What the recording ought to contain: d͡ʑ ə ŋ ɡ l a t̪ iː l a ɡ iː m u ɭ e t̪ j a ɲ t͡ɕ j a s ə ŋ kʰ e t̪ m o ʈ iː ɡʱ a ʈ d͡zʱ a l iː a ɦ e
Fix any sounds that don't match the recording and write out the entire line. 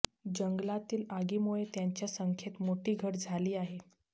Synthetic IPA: d͡ʑ ə ŋ ɡ l a t̪ iː l a ɡ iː m u ɭ e t̪ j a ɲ t͡ɕ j a s ə ŋ kʰ e t̪ m o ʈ iː ɡʱ ə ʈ d͡zʱ a l iː a ɦ e